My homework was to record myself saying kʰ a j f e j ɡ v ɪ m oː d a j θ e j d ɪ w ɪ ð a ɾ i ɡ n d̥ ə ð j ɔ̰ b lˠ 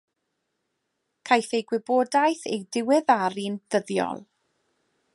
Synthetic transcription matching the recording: kʰ a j θ e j ɡ w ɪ b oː d a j θ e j d ɪ w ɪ ð a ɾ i n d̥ ə ð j ɔ̰ lˠ